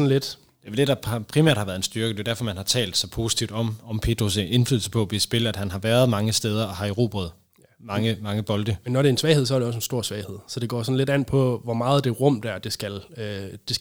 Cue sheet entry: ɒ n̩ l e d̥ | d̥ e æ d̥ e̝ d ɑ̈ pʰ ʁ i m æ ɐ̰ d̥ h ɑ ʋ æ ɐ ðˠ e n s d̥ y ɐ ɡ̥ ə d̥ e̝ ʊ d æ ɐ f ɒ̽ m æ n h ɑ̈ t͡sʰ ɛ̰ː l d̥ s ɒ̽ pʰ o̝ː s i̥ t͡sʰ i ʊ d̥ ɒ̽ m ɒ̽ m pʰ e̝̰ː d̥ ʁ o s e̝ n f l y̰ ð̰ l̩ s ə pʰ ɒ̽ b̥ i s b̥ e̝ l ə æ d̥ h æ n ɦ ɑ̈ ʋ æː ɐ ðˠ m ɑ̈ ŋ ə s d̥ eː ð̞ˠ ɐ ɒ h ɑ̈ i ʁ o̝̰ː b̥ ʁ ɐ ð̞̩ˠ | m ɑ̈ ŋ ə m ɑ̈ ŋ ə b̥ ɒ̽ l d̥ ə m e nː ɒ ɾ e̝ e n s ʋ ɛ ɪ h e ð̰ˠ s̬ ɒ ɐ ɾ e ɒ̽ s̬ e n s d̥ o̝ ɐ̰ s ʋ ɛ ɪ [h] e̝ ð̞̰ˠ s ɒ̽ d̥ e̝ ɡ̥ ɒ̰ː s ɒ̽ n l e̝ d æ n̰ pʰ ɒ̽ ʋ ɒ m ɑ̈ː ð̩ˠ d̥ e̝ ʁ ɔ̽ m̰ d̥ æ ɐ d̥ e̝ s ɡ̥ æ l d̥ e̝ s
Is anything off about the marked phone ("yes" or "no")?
no